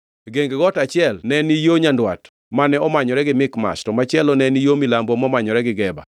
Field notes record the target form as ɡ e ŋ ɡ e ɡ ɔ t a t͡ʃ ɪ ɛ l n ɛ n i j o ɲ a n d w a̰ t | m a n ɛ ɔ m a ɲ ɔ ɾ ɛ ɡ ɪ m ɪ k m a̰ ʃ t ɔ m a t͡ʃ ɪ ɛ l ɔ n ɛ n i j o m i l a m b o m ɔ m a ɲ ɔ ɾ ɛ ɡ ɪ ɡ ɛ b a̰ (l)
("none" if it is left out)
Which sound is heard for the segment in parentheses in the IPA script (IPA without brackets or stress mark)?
none